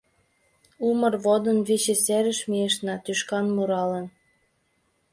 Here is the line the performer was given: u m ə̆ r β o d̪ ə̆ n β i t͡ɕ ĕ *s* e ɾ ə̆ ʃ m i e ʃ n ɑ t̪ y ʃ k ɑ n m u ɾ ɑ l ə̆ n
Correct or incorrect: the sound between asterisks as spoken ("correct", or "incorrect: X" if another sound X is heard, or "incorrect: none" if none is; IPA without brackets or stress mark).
correct